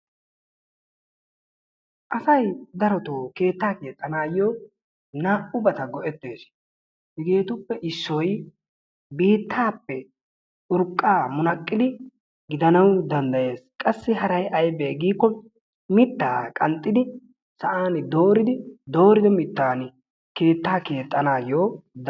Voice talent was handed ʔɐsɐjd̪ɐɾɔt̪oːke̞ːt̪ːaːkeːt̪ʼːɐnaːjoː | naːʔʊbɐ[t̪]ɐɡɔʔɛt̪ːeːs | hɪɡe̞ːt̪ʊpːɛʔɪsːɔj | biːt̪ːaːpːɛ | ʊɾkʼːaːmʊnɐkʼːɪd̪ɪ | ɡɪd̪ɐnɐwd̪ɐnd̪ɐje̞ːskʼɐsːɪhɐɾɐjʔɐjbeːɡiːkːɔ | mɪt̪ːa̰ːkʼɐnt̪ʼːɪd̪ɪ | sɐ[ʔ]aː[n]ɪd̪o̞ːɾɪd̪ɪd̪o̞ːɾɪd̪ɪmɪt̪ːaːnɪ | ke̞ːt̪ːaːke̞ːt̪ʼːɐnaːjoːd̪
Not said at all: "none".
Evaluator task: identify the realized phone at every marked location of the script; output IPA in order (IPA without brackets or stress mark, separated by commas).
t̪, ʔ, n